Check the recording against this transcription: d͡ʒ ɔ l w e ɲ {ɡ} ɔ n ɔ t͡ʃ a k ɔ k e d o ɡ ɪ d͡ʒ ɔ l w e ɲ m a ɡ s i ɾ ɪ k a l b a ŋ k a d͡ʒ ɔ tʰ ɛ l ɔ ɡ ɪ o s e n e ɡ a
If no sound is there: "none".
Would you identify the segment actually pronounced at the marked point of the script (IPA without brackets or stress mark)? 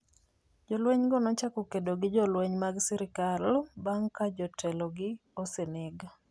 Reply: ɡ